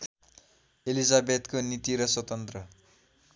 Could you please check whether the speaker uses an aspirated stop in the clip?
no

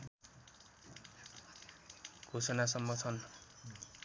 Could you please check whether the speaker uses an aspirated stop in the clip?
yes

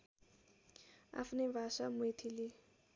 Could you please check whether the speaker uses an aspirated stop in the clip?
yes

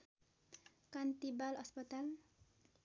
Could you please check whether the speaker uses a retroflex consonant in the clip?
no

